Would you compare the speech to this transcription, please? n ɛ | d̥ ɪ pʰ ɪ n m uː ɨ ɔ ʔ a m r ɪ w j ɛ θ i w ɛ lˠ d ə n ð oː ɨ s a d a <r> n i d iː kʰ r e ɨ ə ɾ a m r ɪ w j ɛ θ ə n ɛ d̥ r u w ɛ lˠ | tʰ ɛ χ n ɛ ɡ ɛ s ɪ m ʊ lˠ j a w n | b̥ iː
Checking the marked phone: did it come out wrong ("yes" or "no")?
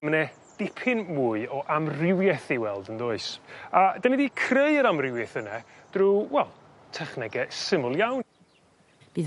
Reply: yes